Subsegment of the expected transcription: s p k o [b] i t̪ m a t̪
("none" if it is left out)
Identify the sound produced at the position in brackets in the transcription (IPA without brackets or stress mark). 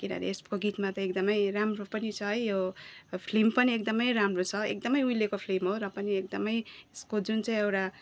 ɡ